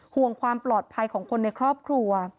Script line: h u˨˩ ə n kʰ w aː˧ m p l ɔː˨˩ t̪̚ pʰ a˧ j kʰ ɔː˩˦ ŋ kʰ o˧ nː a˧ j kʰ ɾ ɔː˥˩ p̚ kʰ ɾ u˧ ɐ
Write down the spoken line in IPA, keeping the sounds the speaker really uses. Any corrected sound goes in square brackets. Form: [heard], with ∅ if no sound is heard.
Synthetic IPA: h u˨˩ ə [ŋ] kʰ w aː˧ m p l ɔː˨˩ t̪̚ pʰ a˧ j kʰ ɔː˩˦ ŋ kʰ o˧ nː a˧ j kʰ ɾ ɔː˥˩ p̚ kʰ ɾ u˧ ɐ